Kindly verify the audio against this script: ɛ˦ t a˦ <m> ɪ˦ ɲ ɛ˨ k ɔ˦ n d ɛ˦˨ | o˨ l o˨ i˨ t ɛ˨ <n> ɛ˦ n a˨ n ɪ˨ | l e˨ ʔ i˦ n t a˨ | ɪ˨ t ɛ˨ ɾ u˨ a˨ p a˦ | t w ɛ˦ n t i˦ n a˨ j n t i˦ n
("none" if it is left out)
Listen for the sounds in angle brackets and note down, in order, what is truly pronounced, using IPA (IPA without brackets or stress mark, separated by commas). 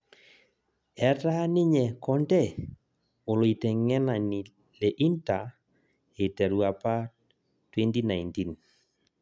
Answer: n, ŋ